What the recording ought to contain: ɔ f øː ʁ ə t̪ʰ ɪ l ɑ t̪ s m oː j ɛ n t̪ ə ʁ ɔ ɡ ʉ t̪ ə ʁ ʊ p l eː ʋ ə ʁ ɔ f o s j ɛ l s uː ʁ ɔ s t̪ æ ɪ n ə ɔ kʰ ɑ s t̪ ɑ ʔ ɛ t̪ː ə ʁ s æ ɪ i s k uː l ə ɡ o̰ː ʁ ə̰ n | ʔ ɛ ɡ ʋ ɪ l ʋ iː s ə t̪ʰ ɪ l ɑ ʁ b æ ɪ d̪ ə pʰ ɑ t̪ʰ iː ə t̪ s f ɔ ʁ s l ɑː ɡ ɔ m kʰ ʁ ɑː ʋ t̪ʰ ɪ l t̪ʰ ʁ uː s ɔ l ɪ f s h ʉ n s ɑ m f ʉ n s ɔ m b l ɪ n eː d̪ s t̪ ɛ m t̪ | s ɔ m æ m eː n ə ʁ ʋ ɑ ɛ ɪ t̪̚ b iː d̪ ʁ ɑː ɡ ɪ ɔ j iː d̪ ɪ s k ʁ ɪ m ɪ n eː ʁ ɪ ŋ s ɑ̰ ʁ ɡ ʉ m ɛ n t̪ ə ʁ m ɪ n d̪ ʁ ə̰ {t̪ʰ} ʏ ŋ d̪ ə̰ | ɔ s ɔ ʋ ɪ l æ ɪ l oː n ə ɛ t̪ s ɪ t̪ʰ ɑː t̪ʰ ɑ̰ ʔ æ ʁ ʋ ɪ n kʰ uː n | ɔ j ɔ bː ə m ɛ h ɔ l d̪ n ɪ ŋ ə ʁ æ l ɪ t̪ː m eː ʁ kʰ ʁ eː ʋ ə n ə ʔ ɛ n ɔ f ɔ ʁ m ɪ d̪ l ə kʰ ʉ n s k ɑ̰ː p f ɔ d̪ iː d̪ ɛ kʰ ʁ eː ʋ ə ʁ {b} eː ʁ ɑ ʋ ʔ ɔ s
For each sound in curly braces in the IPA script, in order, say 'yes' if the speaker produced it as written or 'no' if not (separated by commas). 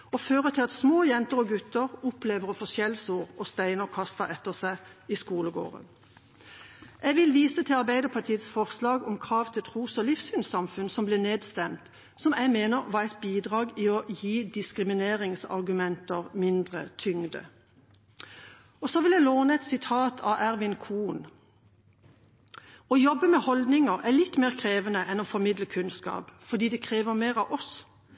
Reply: yes, no